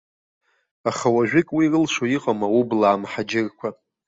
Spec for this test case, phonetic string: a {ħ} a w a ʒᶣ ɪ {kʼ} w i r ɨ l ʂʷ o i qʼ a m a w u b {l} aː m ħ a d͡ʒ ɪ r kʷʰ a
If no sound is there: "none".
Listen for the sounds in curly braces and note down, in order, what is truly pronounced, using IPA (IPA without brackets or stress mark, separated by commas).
χ, kʼ, l